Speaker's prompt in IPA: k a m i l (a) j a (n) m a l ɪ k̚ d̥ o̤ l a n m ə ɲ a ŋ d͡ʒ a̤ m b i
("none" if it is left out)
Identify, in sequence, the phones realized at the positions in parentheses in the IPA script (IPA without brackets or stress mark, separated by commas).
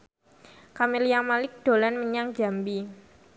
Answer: i, ŋ